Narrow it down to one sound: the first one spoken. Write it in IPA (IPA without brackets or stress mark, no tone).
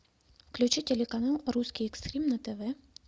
f